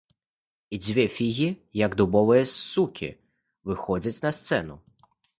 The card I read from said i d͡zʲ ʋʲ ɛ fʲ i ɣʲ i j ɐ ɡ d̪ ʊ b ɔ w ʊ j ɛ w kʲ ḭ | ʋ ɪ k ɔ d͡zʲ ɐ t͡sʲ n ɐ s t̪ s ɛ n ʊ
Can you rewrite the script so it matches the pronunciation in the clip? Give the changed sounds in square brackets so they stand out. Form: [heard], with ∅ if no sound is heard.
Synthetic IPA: i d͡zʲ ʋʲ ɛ fʲ i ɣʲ i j ɐ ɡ d̪ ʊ b ɔ [ʋ] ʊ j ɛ [u] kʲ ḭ | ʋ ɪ [x] ɔ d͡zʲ ɐ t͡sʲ n ɐ s t̪ s ɛ n ʊ